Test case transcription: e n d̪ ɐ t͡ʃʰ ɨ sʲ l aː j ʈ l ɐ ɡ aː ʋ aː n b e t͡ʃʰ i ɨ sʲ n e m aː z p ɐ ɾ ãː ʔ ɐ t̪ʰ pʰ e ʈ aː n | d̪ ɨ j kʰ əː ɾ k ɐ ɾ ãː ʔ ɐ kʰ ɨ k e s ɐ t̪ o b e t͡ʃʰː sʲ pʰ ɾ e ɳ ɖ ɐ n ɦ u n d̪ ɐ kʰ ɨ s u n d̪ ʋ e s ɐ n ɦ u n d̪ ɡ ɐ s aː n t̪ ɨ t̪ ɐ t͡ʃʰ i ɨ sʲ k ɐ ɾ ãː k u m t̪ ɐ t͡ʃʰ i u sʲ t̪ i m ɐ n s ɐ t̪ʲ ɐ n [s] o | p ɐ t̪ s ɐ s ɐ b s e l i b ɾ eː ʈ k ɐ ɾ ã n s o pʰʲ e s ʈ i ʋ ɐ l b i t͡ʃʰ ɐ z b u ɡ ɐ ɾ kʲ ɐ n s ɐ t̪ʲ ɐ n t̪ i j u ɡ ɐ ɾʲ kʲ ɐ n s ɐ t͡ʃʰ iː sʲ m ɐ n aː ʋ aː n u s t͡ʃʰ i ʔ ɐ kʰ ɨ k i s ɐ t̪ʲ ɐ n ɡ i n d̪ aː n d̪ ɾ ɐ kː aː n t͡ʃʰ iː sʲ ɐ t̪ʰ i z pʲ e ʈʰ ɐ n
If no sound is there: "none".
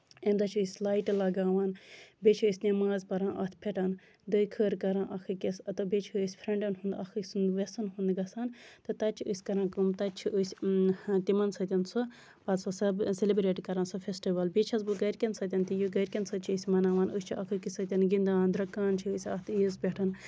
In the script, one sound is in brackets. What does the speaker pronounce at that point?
s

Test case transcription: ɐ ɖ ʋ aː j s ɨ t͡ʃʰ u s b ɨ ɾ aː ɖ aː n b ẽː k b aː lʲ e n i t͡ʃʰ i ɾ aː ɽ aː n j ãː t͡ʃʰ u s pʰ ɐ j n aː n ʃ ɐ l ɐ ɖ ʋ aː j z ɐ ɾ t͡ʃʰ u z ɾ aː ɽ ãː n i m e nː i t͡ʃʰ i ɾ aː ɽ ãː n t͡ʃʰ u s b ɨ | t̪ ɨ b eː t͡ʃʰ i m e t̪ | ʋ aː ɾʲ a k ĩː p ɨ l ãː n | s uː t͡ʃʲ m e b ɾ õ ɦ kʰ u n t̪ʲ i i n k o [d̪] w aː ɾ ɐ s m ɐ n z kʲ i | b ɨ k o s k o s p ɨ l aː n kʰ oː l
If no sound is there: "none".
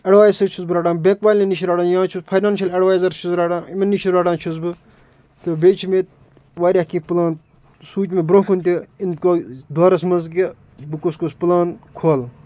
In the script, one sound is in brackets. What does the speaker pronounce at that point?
d̪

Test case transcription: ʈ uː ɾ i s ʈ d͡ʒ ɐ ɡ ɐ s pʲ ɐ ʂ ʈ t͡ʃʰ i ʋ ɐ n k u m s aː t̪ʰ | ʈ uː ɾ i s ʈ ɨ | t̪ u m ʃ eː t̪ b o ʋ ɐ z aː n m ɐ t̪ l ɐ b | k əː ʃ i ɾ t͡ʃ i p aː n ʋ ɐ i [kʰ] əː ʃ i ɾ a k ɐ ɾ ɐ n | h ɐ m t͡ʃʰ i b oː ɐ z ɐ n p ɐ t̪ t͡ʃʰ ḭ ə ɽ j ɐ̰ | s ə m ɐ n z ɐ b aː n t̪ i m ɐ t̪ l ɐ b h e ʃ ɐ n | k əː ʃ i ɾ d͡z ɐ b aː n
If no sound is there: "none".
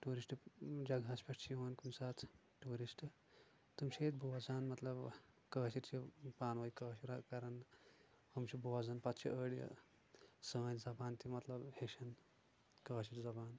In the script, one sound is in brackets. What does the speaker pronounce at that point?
k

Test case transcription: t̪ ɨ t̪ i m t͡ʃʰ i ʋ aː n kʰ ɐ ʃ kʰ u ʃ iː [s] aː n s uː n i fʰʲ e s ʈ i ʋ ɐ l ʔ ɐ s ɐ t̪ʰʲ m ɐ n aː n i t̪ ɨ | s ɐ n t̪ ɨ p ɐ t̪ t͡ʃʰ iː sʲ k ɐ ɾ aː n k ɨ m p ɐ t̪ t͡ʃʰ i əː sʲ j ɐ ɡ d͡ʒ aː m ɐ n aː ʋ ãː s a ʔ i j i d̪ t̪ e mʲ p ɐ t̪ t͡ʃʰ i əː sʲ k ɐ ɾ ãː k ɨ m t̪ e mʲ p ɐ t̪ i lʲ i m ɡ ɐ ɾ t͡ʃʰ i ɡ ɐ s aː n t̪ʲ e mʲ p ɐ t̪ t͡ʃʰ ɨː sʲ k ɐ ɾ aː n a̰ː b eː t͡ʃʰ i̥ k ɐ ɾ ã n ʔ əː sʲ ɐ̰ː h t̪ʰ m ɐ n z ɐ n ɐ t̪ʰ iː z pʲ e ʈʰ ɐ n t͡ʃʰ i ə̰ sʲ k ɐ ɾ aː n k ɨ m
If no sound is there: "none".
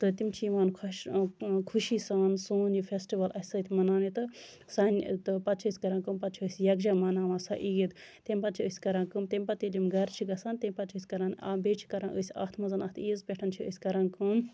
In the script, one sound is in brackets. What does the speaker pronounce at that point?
s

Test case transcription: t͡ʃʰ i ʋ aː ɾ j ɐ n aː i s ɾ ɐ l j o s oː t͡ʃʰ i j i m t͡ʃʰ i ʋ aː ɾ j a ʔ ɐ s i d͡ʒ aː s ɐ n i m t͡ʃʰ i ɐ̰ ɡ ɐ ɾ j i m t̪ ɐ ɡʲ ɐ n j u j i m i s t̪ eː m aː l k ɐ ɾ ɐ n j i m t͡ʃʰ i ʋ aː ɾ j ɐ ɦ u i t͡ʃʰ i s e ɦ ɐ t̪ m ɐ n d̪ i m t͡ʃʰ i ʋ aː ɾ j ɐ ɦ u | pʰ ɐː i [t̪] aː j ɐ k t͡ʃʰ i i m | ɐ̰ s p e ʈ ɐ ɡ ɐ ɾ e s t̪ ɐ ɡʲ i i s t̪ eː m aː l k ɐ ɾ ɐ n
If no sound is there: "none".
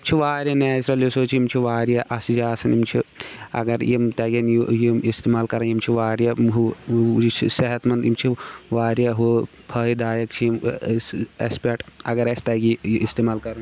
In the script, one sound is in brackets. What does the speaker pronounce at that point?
d̪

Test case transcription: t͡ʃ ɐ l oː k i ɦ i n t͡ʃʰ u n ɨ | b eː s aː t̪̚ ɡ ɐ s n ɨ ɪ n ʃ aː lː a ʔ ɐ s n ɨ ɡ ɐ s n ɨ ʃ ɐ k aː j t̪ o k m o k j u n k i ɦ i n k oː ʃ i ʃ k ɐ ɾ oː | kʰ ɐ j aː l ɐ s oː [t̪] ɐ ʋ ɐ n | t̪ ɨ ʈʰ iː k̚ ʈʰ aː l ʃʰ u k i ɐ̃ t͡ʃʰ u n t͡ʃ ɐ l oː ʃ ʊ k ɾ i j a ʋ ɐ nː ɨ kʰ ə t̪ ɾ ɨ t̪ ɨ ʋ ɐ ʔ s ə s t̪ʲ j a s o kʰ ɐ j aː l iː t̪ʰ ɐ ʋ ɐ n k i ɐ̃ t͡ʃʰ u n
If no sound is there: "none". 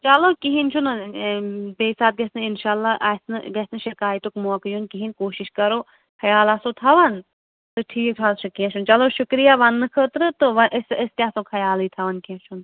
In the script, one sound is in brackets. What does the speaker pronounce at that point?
t̪ʰ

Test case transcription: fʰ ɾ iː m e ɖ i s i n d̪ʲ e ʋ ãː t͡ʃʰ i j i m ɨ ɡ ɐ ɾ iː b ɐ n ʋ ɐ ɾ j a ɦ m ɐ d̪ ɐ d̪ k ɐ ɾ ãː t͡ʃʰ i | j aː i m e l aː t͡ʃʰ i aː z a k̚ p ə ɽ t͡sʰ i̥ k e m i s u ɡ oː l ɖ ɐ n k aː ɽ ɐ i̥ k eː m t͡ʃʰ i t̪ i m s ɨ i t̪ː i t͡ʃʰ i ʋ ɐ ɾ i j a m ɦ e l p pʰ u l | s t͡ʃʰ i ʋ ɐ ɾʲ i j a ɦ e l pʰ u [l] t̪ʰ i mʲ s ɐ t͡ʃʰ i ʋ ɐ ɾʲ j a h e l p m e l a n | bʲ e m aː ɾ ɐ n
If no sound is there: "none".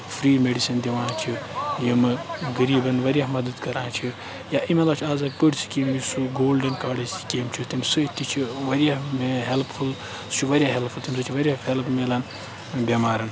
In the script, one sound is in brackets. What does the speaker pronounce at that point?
l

